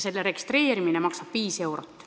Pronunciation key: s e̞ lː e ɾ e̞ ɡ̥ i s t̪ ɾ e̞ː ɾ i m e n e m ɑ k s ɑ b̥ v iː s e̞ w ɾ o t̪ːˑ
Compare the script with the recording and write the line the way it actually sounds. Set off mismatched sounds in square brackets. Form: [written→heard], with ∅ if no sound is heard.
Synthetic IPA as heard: s e̞ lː e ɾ e̞ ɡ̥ i s t̪ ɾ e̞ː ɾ i m [e→i] n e m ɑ k s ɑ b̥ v iː s e̞ w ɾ o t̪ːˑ

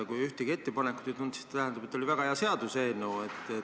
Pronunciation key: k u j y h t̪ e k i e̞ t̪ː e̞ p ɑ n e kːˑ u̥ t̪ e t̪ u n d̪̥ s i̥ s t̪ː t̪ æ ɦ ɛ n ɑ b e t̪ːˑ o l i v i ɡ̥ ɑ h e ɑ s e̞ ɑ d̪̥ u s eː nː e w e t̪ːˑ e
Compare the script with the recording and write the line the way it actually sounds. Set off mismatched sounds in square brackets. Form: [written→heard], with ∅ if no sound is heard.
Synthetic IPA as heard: k u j y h t̪ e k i e̞ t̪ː e̞ p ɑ n e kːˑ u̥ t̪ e t̪ u n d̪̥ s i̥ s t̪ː t̪ æ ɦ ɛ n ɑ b e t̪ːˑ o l i v [i→æ] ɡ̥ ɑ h e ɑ s e̞ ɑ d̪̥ u s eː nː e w e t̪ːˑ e

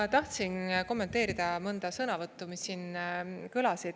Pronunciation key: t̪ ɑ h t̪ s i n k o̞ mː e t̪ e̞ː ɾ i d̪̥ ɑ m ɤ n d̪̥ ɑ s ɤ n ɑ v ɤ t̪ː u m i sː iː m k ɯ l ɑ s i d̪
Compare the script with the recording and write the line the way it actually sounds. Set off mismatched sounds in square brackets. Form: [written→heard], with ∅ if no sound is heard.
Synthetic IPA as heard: t̪ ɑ h t̪ s i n k o̞ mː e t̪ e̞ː ɾ i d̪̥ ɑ m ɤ n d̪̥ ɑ s ɤ n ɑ v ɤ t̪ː u m i sː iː [m→n] k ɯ l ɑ s i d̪

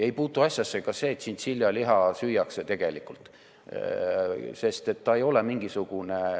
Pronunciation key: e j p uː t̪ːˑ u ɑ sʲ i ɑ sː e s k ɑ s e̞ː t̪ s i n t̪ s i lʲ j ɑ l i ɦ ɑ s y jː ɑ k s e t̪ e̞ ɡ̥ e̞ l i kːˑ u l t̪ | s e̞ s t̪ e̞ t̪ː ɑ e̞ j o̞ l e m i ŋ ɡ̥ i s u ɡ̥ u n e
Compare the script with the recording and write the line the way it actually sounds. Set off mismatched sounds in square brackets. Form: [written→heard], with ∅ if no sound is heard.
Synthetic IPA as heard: e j p uː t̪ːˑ u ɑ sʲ [i→j] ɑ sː e [s→∅] k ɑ s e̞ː t̪ s i n t̪ s i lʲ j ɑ l i ɦ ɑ s y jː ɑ k s e t̪ e̞ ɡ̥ e̞ l i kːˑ u l t̪ | s e̞ s t̪ e̞ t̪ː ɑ e̞ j o̞ l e m i ŋ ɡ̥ i s u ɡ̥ u n e

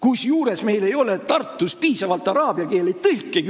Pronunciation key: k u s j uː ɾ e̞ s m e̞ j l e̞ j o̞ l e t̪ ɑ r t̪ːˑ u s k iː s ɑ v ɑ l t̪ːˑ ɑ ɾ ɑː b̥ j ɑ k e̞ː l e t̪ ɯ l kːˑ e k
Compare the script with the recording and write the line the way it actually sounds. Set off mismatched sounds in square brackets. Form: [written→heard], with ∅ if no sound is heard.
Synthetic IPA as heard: k u s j uː ɾ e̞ s m e̞ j l e̞ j o̞ l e t̪ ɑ r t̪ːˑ u s [k→p] iː s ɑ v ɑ l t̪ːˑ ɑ ɾ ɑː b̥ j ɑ k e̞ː l e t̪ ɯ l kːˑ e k

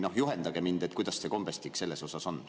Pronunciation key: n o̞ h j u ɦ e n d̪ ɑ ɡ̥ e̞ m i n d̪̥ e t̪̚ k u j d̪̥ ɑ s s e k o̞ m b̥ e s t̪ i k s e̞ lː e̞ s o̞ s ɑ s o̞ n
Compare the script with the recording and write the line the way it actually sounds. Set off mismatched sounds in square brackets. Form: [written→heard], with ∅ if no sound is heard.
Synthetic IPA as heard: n o̞ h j u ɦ e n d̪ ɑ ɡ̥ e̞ m i n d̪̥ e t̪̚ k u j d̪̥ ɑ s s e k o̞ m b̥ e s t̪ i k s e̞ lː e̞ s o̞ s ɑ s o̞ n

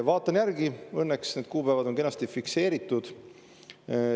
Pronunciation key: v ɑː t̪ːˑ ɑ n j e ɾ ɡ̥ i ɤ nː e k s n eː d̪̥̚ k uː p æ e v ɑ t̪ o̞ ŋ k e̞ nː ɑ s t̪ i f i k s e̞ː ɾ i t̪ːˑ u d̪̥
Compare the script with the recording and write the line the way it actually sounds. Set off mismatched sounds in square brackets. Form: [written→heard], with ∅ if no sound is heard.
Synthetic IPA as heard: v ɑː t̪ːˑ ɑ n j [e→æ] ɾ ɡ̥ i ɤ nː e k s n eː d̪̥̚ k uː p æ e v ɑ [t̪→d̪] o̞ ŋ k e̞ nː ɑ s t̪ i f i k s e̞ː ɾ i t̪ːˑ u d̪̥

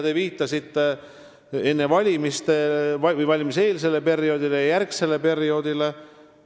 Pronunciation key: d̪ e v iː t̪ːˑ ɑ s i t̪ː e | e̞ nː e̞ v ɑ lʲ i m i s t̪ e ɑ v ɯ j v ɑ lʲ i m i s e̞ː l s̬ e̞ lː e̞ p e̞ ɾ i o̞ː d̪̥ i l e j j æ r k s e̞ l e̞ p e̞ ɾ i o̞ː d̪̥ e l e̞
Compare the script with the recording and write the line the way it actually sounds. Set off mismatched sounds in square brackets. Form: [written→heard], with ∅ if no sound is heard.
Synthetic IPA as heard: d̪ e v iː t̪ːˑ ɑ s i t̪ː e | e̞ nː e̞ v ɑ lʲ i m i s t̪ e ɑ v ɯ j v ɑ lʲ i m i s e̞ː l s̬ e̞ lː e̞ p e̞ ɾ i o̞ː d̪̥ i l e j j æ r k s e̞ l e̞ p e̞ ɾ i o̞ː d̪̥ [e→i] l e̞

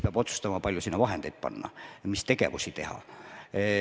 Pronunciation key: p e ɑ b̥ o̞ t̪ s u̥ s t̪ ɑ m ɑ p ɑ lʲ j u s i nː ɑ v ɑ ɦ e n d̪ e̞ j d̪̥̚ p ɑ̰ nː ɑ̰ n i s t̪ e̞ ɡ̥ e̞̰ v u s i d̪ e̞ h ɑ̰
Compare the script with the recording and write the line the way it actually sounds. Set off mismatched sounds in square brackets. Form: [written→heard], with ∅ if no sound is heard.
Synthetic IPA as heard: p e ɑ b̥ o̞ t̪ s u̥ s t̪ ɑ m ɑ p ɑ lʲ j u s i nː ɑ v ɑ ɦ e n d̪ e̞ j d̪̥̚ p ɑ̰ nː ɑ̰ [n→m] i s t̪ e̞ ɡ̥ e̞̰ v u s i [d̪→t̪] e̞ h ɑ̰

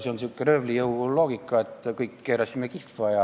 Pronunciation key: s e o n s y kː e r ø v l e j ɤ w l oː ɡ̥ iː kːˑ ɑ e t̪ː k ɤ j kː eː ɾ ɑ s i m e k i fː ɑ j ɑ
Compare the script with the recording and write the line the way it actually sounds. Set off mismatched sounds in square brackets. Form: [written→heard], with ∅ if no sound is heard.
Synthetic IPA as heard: s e o n s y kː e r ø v l [e→i] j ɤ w l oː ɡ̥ [iː→i] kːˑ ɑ e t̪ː k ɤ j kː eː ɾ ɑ s i m e k i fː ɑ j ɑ

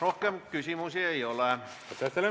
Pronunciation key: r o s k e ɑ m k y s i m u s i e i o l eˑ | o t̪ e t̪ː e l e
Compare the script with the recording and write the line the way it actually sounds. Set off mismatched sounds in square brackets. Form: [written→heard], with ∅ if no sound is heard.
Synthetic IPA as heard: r o [s→h] k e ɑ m k y s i m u s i e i o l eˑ | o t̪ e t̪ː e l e

